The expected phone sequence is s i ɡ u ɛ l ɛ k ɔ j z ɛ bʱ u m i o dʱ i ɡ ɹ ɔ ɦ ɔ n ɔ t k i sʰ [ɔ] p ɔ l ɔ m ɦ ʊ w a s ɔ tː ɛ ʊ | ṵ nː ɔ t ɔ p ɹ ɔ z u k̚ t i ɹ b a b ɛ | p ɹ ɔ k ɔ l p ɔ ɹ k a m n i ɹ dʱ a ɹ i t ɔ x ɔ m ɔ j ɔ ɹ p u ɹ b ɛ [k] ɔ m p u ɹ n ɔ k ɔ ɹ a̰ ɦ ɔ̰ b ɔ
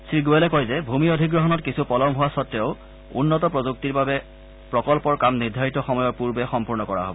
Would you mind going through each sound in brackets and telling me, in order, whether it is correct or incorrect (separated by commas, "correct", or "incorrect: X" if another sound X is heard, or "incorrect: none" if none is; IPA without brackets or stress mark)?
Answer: incorrect: u, incorrect: x